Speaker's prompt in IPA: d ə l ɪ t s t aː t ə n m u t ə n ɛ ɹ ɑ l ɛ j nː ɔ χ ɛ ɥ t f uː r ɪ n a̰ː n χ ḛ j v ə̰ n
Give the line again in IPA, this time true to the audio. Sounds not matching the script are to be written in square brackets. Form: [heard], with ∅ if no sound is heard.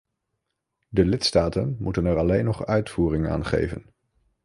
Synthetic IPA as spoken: d ə l ɪ t s t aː t ə n m u t ə n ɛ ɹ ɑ l [e] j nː ɔ χ [œ] ɥ t f uː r ɪ [ŋ] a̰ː n χ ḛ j v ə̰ n